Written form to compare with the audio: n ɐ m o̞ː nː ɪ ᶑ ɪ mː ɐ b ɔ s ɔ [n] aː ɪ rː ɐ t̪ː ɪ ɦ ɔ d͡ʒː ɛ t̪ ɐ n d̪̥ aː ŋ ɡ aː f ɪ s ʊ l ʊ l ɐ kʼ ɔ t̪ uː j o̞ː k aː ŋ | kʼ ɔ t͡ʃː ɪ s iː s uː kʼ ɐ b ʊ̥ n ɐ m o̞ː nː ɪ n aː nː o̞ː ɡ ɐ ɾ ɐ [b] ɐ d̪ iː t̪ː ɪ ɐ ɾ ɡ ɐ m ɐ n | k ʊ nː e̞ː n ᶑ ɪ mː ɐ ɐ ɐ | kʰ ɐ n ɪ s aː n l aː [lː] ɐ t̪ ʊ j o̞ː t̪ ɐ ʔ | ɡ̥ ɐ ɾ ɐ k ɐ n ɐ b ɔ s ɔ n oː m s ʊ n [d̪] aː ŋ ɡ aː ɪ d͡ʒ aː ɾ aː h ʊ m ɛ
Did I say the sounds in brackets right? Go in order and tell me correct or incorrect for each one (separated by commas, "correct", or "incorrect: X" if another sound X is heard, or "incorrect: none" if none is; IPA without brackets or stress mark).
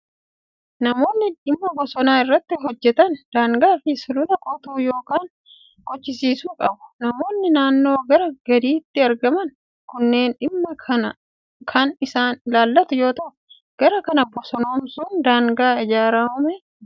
correct, incorrect: ɡ, correct, correct